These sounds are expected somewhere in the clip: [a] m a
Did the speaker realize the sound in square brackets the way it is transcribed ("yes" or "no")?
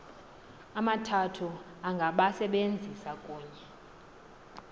yes